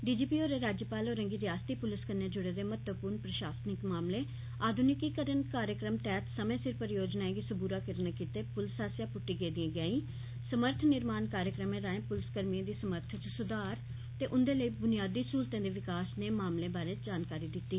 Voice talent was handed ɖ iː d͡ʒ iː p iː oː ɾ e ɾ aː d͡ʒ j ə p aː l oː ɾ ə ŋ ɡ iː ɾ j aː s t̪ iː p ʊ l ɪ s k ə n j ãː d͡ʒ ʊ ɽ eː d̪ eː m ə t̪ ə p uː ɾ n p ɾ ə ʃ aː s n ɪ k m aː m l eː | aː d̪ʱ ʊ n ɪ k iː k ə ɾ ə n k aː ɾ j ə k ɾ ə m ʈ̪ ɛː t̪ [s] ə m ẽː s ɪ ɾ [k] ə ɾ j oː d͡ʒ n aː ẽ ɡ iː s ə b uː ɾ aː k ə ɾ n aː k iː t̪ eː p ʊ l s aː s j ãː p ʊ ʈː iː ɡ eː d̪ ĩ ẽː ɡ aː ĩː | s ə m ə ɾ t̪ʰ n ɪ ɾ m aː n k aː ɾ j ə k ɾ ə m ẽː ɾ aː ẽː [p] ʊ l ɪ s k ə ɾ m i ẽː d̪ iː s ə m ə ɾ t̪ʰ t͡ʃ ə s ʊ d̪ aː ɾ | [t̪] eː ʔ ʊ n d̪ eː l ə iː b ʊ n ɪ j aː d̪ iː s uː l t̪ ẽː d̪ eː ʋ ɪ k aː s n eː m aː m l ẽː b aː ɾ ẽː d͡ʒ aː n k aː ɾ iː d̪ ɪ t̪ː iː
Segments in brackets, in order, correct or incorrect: correct, incorrect: p, correct, correct

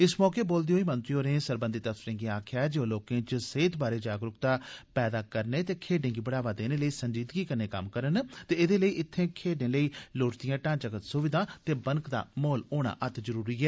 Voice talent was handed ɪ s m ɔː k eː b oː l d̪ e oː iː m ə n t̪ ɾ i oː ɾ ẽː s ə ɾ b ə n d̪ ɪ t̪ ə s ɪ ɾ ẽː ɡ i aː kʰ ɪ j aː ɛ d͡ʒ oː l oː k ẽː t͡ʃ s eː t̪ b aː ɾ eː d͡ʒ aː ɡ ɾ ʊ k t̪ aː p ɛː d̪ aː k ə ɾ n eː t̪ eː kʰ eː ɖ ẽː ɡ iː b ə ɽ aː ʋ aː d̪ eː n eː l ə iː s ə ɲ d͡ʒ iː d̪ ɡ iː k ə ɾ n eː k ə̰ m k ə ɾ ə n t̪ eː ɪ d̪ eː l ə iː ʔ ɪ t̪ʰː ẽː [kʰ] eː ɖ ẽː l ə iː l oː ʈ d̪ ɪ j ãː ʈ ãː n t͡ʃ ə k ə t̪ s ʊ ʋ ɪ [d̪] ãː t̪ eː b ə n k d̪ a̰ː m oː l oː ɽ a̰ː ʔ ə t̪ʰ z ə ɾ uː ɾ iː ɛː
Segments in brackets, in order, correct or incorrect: correct, correct

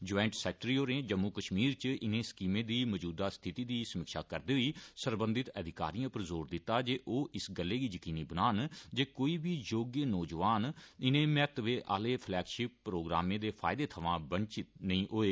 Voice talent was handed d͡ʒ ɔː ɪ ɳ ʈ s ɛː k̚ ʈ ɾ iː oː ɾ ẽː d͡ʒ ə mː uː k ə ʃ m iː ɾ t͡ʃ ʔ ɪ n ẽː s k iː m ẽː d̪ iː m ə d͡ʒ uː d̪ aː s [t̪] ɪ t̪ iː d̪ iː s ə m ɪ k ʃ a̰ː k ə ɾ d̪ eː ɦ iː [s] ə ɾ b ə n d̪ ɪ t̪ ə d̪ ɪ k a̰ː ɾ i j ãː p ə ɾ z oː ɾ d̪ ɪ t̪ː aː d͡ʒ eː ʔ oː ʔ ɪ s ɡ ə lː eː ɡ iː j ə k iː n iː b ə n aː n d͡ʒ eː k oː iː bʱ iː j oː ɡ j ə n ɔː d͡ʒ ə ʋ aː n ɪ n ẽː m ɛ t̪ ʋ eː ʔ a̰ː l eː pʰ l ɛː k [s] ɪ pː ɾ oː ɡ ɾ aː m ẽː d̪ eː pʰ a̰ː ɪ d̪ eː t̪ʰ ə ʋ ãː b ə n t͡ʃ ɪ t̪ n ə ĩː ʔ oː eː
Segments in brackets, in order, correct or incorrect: incorrect: t̪ʰ, correct, incorrect: ʃ

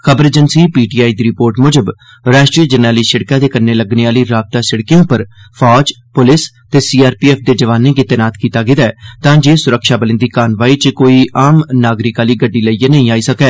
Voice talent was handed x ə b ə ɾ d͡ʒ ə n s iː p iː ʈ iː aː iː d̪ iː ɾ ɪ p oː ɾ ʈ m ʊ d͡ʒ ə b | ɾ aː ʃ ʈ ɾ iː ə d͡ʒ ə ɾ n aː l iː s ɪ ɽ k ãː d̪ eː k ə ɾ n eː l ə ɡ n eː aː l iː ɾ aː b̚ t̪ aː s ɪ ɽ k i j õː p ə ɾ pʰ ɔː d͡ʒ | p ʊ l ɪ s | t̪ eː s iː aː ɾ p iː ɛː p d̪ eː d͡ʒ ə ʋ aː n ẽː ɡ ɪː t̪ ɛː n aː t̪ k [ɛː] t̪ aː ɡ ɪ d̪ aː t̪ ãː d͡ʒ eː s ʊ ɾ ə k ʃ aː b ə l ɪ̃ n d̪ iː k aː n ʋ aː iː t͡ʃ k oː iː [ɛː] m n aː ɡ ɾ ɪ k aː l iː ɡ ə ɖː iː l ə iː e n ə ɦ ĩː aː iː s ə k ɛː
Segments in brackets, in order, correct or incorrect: incorrect: iː, incorrect: aː

